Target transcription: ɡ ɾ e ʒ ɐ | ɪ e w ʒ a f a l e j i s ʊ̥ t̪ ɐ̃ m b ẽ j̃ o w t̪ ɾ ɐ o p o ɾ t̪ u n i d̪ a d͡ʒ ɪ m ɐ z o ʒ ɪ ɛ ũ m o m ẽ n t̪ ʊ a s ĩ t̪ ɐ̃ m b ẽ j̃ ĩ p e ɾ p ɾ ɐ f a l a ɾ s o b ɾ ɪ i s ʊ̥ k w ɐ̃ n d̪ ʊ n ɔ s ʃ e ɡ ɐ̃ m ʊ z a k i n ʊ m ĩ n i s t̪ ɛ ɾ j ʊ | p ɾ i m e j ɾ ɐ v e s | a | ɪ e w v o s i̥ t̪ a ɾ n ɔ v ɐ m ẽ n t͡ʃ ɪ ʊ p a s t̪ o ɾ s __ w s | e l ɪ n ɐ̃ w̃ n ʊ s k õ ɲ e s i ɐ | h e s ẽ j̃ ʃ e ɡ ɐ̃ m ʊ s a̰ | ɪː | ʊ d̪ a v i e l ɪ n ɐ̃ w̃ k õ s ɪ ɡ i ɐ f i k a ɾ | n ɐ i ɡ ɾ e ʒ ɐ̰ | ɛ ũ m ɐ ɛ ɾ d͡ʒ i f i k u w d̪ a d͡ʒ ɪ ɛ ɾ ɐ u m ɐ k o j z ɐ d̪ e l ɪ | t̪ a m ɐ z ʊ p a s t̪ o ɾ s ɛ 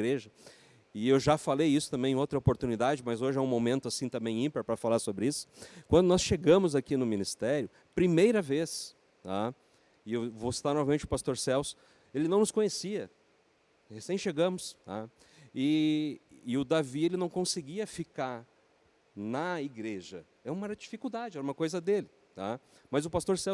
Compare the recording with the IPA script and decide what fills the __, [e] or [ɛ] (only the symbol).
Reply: ɛ